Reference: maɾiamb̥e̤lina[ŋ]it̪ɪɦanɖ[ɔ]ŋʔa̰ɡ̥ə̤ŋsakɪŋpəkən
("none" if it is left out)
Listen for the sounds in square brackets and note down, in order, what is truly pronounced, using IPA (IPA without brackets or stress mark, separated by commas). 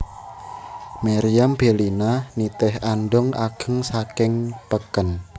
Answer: n, ɔ